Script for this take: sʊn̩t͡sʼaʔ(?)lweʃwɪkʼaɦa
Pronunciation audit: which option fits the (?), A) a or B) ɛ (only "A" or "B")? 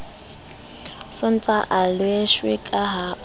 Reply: A